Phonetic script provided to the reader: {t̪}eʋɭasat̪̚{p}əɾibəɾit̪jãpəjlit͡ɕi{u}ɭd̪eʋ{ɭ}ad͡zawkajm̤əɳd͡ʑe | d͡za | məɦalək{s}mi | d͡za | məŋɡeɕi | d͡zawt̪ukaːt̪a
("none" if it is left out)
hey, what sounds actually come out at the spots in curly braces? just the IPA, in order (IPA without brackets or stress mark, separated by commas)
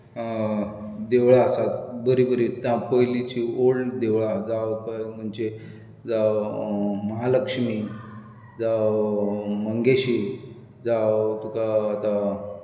d̪, b, o, ɭ, ʂ